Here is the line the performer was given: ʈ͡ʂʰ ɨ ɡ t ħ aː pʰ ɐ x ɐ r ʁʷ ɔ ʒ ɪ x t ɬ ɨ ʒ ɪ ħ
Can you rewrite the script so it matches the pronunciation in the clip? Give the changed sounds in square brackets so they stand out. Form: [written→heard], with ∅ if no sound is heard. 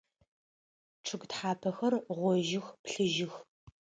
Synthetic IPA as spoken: ʈ͡ʂʰ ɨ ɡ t ħ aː pʰ ɐ x ɐ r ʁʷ ɔ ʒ ɪ x [t→p] ɬ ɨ ʒ ɪ [ħ→x]